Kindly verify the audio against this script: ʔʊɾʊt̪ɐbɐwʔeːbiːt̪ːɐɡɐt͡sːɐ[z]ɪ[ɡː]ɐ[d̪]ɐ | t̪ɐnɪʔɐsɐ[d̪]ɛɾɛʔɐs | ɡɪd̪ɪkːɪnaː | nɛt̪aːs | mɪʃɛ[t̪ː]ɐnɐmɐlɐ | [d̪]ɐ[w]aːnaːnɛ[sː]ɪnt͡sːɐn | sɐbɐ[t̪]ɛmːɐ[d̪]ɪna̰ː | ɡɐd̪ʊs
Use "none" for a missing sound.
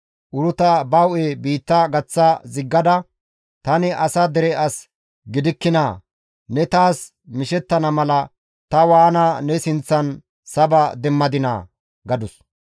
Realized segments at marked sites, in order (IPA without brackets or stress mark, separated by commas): z, ɡː, d̪, d̪, t̪ː, t̪, w, s, d̪, d̪